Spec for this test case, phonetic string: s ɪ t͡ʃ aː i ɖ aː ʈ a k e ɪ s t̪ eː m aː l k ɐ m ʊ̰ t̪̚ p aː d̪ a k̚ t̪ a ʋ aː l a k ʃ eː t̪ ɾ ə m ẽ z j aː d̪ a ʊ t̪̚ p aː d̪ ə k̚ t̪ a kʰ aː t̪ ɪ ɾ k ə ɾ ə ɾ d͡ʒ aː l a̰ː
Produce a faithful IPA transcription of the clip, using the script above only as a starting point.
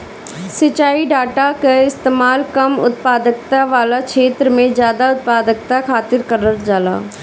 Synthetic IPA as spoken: s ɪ t͡ʃ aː i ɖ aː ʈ a k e ɪ s t̪ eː m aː l k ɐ m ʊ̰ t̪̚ p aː d̪ ə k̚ t̪ a ʋ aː l a k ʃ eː t̪ ɾ ə m ẽ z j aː d̪ a ʊ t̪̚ p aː d̪ ə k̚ t̪ a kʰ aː t̪ ɪ ɾ k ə ɾ ə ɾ d͡ʒ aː l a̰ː